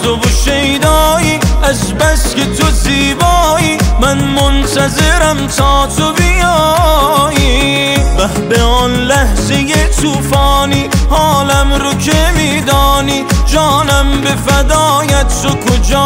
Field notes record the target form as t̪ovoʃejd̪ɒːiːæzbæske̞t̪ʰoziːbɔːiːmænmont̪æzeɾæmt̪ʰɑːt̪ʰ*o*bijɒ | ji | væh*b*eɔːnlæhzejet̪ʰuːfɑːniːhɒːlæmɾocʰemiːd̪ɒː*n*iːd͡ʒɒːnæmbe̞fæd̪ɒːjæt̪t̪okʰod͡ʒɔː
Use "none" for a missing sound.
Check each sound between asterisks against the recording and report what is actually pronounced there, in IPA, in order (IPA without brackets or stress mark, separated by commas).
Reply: o, b, n